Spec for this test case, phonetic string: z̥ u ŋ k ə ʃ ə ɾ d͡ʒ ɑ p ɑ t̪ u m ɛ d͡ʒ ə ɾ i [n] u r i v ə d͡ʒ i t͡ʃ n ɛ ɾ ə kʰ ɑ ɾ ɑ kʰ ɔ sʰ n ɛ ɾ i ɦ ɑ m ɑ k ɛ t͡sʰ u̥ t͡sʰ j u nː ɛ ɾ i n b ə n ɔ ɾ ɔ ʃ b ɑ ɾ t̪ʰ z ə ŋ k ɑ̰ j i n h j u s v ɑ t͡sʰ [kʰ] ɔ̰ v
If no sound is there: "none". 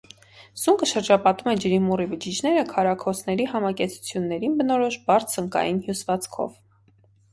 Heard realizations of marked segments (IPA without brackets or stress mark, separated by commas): m, kʰ